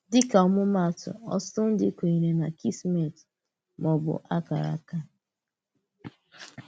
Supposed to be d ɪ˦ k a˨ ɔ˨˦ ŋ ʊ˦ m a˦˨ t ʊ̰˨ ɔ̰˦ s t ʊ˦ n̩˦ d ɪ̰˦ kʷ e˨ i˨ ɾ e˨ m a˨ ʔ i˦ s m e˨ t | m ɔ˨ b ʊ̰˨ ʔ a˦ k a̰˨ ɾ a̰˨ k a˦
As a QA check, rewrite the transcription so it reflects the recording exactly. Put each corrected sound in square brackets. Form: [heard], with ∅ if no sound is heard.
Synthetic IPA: d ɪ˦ k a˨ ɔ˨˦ [m] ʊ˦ m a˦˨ t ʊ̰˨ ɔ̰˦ s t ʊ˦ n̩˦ d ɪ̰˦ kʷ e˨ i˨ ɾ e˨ [n] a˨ [k] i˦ s m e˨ t | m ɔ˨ b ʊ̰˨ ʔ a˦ k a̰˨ ɾ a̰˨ k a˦